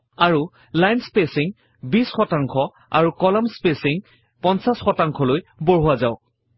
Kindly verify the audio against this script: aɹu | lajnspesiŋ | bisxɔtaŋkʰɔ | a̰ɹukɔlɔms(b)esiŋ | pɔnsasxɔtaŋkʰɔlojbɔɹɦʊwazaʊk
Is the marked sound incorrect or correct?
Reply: incorrect: p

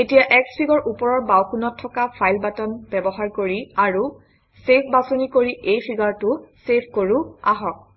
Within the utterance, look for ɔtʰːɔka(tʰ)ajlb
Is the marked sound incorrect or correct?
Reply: incorrect: pʰ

